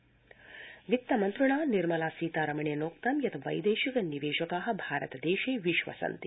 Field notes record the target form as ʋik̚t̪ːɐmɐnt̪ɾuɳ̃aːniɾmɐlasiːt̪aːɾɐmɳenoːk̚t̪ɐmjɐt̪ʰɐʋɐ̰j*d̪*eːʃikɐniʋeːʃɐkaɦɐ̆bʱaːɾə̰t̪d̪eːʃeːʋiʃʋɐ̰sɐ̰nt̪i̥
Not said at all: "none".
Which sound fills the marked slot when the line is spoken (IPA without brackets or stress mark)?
d̪